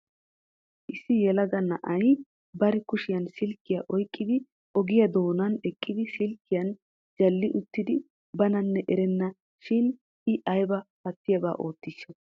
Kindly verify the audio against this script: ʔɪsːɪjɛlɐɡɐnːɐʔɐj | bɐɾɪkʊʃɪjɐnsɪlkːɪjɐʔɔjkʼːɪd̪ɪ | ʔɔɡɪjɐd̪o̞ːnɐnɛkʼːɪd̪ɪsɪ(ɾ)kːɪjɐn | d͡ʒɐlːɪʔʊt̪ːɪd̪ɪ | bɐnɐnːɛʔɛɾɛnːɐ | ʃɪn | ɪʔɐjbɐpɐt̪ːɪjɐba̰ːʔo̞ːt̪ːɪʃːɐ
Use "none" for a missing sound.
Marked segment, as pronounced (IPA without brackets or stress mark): l